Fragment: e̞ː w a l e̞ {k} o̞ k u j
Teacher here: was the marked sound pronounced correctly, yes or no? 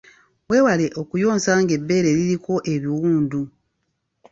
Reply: no